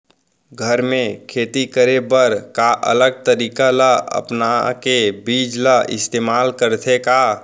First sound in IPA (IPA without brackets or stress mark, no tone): ɡʱ